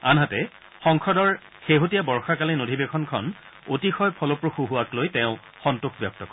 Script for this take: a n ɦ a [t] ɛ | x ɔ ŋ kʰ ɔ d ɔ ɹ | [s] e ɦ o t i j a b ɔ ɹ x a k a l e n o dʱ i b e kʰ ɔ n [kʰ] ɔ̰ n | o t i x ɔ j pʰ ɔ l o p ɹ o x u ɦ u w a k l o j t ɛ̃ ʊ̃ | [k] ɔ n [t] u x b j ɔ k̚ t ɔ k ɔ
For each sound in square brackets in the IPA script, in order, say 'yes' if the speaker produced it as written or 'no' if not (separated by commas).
yes, no, yes, no, yes